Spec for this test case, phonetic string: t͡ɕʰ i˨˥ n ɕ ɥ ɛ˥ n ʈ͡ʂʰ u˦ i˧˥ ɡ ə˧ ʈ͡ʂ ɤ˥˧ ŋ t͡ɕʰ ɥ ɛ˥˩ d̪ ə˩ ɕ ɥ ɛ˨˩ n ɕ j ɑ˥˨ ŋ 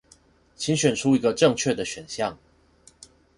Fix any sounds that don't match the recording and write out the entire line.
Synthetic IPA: t͡ɕʰ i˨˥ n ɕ ɥ ɛ˨˩ n ʈ͡ʂʰ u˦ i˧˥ ɡ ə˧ ʈ͡ʂ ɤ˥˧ ŋ t͡ɕʰ ɥ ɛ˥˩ d̪ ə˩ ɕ ɥ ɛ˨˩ n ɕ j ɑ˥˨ ŋ